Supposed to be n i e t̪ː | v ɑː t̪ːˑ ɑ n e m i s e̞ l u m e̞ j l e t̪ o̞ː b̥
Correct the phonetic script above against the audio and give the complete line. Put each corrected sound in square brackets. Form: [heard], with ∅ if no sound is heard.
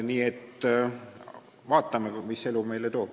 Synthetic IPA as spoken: n [iː] e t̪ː | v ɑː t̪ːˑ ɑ [m] e m i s e̞ l u m e̞ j l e t̪ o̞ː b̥